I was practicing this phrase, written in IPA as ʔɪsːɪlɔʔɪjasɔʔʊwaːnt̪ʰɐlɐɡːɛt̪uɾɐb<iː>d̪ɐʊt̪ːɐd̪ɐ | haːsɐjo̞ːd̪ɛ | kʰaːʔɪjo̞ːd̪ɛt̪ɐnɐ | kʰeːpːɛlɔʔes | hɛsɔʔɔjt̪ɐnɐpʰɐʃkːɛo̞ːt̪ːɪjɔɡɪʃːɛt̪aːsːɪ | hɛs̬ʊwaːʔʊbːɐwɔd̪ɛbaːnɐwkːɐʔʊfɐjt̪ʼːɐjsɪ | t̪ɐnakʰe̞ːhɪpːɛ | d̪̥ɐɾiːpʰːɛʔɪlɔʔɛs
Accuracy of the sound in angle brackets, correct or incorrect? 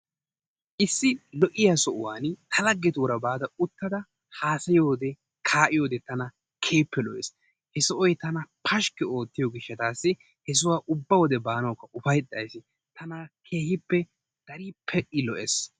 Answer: incorrect